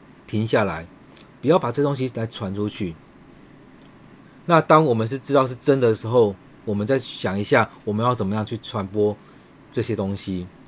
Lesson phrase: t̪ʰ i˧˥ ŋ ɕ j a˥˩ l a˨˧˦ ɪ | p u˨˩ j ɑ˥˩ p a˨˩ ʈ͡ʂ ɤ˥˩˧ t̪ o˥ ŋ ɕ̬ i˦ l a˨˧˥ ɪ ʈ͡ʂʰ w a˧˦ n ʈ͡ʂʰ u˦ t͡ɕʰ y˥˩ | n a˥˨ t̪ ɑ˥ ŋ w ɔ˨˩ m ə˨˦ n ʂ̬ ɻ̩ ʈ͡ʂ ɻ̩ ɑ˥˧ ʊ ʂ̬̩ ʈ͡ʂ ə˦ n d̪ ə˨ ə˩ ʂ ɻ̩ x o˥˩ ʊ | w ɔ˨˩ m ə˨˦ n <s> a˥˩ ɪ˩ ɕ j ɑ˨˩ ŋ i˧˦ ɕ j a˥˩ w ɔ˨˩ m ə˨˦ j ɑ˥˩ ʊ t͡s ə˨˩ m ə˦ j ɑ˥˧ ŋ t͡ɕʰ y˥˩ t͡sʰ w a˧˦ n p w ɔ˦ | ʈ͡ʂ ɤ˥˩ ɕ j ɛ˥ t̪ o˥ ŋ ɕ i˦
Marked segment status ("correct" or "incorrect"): incorrect